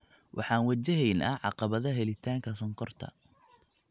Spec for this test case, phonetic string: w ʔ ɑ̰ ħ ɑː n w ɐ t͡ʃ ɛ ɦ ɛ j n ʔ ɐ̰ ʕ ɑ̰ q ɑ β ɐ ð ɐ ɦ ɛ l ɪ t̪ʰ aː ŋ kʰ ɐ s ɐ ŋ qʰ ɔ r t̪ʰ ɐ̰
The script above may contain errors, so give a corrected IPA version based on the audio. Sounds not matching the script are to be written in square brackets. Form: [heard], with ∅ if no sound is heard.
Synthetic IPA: w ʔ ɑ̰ ħ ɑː n w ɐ t͡ʃ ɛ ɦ ɛ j n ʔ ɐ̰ ʕ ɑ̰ q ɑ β ɐ ð ɐ ɦ ɛ l ɪ t̪ʰ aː ŋ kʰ ɐ s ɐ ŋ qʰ ɔ r t̪ʰ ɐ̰